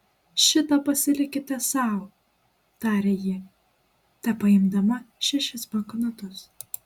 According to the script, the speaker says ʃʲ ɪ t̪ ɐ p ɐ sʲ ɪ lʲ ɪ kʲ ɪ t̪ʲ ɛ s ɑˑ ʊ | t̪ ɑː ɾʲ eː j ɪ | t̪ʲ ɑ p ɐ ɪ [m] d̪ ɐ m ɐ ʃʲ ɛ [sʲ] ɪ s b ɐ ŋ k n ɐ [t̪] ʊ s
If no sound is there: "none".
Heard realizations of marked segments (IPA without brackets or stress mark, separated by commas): m, ʃʲ, t̪